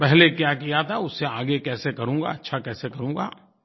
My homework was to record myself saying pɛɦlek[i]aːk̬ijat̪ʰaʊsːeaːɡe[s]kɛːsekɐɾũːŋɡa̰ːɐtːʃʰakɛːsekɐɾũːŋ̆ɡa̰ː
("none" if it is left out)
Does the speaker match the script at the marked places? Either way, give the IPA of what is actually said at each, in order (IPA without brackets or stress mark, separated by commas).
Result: j, none